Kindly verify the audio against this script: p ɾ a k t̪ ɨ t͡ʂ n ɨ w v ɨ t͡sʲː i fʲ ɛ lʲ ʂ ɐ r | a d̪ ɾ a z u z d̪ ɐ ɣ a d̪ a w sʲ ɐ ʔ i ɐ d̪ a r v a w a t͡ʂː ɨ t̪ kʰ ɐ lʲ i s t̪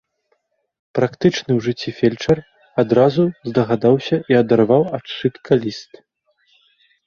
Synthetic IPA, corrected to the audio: p ɾ a k t̪ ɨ t͡ʂ n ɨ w ʐ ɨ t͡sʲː i fʲ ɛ lʲ t͡ʂ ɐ r | a d̪ ɾ a z u z d̪ ɐ ɣ a d̪ a w sʲ ɐ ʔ i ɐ d̪ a r v a w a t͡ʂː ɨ t̪ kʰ ɐ lʲ i s t̪